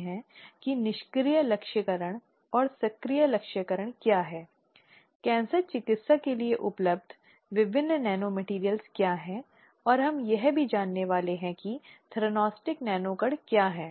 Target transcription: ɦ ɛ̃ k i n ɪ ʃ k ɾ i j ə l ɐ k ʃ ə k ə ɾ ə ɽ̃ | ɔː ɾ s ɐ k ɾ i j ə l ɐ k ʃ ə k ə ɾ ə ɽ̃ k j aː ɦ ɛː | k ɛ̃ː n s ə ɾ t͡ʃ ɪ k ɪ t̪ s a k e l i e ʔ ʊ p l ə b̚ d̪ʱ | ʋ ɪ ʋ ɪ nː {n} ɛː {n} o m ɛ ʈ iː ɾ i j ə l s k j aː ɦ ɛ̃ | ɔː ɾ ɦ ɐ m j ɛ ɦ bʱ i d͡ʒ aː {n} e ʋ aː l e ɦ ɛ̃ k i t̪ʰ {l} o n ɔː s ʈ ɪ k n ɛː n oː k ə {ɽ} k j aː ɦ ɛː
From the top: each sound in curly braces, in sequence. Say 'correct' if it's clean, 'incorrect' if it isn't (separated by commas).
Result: correct, correct, incorrect, incorrect, correct